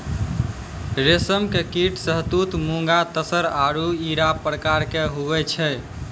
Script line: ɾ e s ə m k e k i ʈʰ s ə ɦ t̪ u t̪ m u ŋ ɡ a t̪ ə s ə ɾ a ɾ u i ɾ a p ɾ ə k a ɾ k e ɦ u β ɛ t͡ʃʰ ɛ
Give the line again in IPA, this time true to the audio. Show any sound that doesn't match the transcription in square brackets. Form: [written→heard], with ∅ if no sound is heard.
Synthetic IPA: ɾ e s ə m k e k i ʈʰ s ə ɦ t̪ u t̪ m u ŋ ɡ a t̪ ə s ə ɾ a ɾ u i ɾ a p ɾ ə k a ɾ k e ɦ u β ɛ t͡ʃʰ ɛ